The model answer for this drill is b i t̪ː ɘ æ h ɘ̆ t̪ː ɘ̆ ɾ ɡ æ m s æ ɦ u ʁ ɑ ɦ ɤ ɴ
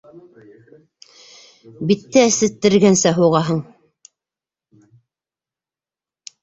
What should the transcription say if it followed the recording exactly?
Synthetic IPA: b i t̪ː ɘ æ s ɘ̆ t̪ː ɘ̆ ɾ ɡ æ n s æ ɦ u ʁ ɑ ɦ ɤ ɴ